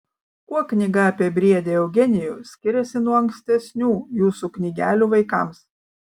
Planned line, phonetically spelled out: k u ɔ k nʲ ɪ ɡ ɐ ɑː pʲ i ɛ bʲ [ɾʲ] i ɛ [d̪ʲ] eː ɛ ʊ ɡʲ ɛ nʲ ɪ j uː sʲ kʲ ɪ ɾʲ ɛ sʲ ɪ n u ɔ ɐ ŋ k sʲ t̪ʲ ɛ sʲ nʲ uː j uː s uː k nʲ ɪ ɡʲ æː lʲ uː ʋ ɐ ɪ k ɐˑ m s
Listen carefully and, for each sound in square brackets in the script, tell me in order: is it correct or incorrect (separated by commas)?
correct, correct